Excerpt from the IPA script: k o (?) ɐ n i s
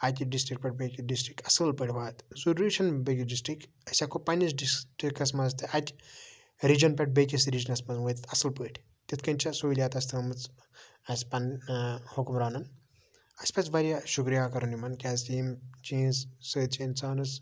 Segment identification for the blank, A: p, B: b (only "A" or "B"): A